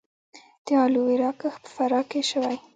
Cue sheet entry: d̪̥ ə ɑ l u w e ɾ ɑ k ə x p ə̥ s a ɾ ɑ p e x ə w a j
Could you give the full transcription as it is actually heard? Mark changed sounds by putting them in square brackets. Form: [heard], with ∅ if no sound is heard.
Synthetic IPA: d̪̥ ə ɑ l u w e ɾ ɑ k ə x p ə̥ [f] a ɾ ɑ [k] e [ʃ] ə w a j